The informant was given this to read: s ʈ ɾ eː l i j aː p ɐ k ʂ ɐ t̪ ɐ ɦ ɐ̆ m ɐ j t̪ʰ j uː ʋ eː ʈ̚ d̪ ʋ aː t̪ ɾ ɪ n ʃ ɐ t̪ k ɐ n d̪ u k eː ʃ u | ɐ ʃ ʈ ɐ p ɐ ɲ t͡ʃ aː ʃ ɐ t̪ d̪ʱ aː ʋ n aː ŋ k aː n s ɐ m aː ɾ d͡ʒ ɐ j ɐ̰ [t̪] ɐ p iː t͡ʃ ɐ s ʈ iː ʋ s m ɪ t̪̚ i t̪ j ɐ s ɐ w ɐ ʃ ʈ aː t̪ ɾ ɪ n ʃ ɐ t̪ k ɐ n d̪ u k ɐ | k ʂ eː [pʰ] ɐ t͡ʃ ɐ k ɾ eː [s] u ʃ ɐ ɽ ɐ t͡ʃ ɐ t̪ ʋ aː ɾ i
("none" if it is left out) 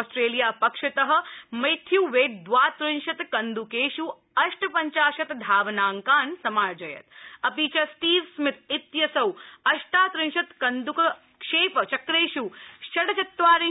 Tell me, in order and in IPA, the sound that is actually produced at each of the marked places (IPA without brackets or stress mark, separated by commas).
t̪, p, ʃ